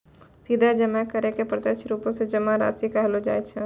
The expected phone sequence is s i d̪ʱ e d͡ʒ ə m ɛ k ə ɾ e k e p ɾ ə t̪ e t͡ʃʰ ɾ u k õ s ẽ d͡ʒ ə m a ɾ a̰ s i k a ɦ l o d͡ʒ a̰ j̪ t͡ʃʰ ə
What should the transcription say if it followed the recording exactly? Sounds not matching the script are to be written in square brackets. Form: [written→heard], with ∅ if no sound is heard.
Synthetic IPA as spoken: s i d̪ʱ [e→a] d͡ʒ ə m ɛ k ə ɾ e k e p ɾ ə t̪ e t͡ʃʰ ɾ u [k→p] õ s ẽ d͡ʒ ə m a ɾ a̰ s i k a ɦ l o d͡ʒ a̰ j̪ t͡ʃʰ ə